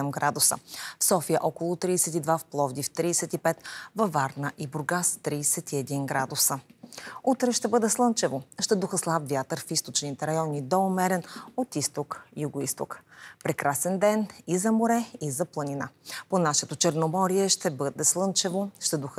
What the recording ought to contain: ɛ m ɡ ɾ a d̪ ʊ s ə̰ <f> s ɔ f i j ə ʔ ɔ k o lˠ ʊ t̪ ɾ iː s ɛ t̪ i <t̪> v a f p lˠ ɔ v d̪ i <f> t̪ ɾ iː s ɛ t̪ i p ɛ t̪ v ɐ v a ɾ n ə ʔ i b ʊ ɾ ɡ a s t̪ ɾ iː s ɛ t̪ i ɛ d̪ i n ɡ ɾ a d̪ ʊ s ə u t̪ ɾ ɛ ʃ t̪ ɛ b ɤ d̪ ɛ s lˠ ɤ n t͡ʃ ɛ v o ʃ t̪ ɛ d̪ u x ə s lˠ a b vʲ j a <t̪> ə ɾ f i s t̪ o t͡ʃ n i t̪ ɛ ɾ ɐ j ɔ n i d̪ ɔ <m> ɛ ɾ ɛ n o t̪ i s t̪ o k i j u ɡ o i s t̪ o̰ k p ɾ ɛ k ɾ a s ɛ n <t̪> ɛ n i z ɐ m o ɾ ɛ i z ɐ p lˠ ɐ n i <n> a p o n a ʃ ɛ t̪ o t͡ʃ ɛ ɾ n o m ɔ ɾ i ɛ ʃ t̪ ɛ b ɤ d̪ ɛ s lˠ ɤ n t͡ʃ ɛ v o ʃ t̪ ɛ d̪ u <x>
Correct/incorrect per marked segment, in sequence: correct, incorrect: d̪, correct, correct, correct, incorrect: d̪, correct, correct

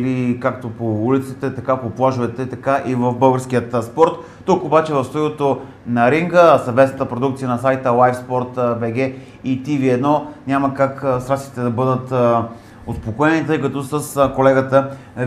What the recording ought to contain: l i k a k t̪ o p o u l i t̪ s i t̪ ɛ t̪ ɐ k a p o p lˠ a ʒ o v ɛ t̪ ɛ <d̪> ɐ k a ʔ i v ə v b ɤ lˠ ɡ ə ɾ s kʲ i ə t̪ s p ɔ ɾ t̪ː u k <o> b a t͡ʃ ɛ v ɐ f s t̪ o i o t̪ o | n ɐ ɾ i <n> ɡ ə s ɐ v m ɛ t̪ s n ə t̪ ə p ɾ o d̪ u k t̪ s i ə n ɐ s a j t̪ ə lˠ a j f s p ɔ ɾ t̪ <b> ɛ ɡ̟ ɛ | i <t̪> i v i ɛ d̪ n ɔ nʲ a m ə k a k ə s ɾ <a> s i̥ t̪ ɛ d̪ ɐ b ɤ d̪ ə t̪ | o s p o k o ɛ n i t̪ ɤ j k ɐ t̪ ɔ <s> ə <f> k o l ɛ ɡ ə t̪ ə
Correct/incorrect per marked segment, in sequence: incorrect: t̪, correct, incorrect: ŋ, correct, correct, correct, correct, incorrect: s

